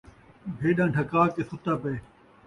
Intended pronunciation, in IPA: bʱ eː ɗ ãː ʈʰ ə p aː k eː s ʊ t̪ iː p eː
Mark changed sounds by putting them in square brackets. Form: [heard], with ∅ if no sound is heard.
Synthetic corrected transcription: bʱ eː ɗ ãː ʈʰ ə [k] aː k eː s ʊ t̪ [aː] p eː